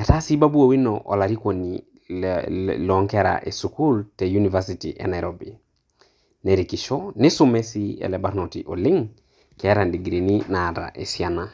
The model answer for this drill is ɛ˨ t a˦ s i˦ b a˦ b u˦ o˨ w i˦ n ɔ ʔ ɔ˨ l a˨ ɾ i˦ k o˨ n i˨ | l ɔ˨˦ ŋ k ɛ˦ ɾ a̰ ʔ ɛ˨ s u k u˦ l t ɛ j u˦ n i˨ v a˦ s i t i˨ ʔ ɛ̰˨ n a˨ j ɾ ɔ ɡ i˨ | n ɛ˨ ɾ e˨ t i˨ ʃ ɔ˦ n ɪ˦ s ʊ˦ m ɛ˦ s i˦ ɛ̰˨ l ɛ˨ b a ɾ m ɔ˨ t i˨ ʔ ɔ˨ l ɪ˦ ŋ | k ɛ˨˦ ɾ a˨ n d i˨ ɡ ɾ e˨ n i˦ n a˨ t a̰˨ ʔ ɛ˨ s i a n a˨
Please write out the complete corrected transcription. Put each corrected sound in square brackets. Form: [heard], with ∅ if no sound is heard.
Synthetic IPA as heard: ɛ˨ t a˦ s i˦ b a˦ b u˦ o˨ w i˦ n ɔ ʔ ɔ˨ l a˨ ɾ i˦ k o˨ n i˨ | l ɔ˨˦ ŋ k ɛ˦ ɾ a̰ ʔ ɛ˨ s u k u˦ l t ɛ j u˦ n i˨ v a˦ s i t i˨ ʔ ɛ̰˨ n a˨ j ɾ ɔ [b] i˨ | n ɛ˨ ɾ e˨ [k] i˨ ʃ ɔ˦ n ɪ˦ s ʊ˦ m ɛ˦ s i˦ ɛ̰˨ l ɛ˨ b a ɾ [n] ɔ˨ t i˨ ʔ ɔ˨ l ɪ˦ ŋ | k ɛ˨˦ ɾ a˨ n d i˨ ɡ ɾ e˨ n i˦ n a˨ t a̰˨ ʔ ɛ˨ s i a n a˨